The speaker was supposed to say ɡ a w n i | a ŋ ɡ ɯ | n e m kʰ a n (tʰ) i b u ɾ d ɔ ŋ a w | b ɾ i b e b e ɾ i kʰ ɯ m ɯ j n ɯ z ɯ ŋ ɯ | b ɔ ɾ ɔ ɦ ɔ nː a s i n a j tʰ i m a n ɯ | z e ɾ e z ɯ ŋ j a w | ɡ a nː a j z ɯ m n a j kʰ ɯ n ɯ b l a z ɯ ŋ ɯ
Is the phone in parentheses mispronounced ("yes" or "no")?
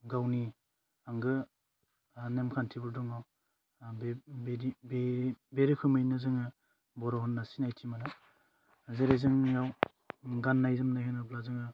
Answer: no